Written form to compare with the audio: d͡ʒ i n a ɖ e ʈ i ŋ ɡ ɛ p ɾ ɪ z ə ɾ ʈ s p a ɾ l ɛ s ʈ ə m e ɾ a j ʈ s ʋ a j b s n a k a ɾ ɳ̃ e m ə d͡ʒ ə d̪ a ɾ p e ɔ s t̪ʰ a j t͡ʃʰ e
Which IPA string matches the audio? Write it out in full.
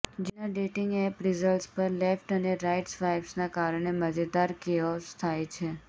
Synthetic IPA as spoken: d͡ʒ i n a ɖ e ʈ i ŋ ɡ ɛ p ɾ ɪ z ə l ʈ s p ə ɾ l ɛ f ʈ ə n e ɾ a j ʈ s ʋ a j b s n a k a ɾ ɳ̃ e m ə d͡ʒ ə d̪ a ɾ k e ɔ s t̪ʰ a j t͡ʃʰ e